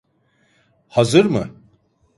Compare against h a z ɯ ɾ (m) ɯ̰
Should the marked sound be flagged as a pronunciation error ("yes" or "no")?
no